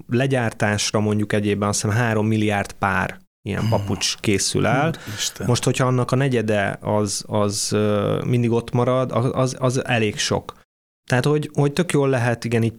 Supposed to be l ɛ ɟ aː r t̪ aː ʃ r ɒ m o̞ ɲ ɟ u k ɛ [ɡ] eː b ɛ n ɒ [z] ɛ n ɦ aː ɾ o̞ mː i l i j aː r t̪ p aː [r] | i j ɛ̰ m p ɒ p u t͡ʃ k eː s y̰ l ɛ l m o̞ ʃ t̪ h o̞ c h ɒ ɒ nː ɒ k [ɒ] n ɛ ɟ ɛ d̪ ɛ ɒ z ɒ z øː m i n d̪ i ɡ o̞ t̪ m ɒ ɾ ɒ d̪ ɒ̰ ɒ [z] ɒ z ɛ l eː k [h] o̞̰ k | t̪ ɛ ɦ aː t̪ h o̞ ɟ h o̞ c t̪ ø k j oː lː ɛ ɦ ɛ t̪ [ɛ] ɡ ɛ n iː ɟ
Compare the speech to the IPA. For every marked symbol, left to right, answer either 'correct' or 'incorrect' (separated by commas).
incorrect, incorrect, correct, correct, correct, incorrect, incorrect